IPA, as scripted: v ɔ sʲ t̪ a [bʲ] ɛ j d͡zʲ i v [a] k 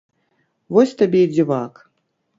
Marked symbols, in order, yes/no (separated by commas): yes, yes